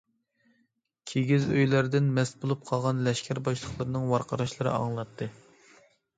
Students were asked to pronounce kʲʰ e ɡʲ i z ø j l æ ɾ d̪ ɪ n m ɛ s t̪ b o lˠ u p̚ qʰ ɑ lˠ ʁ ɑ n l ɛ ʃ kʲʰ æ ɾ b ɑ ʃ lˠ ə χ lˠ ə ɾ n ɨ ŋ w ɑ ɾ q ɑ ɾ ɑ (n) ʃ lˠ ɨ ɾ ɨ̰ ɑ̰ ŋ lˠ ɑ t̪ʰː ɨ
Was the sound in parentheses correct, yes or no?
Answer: no